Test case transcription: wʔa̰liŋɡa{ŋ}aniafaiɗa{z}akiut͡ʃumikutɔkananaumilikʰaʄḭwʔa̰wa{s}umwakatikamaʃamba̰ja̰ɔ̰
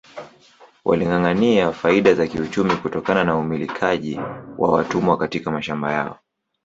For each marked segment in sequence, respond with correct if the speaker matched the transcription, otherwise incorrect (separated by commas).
correct, correct, incorrect